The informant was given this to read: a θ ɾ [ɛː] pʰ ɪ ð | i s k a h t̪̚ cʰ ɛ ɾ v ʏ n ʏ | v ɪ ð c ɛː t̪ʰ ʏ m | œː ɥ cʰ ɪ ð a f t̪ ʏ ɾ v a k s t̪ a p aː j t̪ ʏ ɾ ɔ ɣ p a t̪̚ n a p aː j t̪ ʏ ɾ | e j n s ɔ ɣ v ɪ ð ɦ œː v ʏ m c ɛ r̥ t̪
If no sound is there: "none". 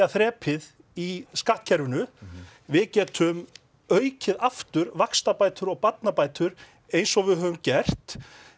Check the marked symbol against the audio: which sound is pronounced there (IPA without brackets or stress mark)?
ɛː